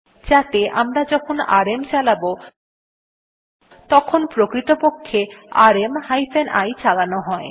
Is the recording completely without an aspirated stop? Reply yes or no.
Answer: no